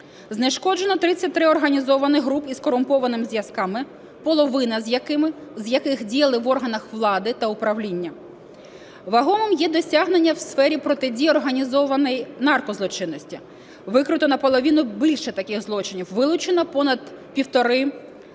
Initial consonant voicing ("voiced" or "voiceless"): voiced